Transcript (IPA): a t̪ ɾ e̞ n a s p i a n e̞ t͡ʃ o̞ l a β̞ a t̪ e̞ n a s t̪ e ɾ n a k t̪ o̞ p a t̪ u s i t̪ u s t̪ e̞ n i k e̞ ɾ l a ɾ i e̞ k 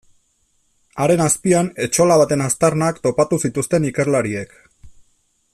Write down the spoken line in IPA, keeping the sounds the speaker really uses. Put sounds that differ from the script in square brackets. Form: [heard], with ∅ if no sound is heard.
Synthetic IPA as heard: a [∅] ɾ e̞ n a s p i a n e̞ t͡ʃ o̞ l a β̞ a t̪ e̞ n a s t̪ [a] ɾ n a k t̪ o̞ p a t̪ u s i t̪ u s t̪ e̞ n i k e̞ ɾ l a ɾ i e̞ k